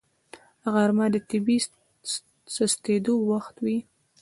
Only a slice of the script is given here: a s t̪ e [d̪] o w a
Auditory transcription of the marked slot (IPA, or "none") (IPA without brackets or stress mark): d̪